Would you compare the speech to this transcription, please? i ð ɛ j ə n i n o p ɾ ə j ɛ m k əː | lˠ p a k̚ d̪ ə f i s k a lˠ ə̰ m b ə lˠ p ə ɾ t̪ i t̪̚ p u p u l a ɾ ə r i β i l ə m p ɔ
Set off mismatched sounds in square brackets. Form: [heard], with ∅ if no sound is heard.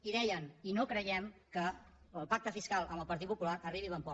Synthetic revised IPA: i ð ɛ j ə n i n o [k] ɾ ə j ɛ m k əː | lˠ p a k̚ [t̪] ə f i s k a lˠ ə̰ m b ə lˠ p ə ɾ t̪ i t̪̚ p u p u l a ɾ ə r i β i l ə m p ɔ